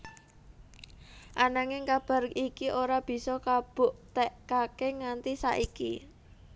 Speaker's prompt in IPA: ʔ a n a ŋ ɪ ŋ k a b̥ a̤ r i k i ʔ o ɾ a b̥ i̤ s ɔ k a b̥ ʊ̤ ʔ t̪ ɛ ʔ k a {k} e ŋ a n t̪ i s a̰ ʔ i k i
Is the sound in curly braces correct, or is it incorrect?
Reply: correct